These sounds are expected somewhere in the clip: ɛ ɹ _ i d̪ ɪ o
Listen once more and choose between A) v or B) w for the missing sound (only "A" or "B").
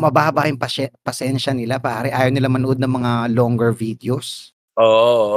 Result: A